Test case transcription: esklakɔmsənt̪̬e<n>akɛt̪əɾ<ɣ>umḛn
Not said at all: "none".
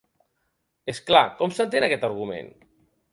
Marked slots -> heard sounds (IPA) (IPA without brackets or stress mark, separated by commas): n, ɣ